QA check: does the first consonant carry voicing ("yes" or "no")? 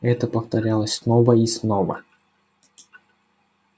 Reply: no